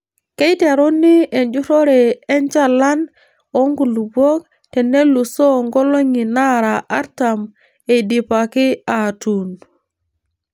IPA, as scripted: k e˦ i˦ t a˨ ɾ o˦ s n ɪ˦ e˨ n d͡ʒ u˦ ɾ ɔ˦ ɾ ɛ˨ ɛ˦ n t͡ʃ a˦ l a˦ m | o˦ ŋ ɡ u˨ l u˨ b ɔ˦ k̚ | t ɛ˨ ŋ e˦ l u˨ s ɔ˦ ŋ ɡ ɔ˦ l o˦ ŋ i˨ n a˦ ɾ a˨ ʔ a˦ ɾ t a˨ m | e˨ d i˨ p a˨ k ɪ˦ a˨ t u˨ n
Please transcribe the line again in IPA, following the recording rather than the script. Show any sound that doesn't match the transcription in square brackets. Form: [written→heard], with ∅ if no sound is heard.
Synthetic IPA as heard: k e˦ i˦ t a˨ ɾ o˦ [s→∅] n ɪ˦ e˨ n d͡ʒ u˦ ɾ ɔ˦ ɾ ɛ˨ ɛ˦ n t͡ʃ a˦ l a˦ [m→n] | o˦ ŋ ɡ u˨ l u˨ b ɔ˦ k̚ | t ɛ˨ [ŋ→n] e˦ l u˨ s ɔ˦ ŋ ɡ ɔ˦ l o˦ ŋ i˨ n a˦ ɾ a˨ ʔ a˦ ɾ t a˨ m | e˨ d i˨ p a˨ k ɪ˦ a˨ t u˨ n